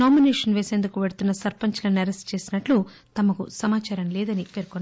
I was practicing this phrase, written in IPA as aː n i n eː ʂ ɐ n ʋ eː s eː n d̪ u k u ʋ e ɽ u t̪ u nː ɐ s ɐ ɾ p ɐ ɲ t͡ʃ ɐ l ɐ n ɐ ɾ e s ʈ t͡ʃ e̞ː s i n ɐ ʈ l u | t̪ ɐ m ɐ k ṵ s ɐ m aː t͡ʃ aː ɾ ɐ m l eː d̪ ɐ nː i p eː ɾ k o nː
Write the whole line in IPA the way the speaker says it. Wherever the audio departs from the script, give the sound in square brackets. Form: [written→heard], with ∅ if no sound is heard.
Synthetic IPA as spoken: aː [n→m] i n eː ʂ ɐ n ʋ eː s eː n d̪ u k u ʋ e ɽ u t̪ u nː ɐ s ɐ ɾ p ɐ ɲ t͡ʃ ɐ l ɐ n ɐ ɾ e s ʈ t͡ʃ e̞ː s i n ɐ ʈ l u | t̪ ɐ m ɐ k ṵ s ɐ m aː t͡ʃ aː ɾ ɐ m l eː d̪ ɐ [nː→n] i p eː ɾ k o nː